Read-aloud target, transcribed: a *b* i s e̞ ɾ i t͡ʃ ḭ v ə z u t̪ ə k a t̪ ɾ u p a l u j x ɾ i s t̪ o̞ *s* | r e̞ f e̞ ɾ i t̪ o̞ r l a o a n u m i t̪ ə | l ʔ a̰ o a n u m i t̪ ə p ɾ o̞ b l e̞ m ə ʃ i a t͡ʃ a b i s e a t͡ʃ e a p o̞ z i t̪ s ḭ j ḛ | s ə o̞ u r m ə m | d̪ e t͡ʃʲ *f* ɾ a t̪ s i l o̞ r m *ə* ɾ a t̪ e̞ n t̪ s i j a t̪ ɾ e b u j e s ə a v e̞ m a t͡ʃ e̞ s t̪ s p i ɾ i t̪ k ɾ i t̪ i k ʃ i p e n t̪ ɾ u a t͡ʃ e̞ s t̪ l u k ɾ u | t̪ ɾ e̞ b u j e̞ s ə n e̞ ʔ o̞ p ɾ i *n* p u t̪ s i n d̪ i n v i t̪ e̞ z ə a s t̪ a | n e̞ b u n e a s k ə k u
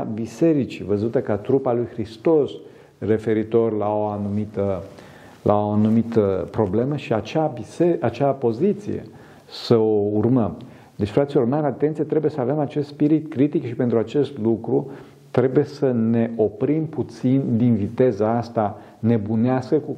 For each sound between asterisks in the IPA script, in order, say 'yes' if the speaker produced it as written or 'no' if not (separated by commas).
yes, yes, yes, no, no